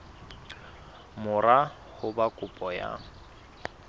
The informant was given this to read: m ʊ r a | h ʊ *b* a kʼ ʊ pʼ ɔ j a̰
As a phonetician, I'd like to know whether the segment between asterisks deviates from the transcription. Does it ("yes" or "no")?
no